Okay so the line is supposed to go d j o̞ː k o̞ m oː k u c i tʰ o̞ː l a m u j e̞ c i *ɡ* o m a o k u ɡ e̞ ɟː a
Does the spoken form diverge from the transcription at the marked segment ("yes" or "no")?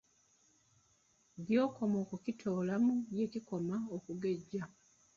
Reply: yes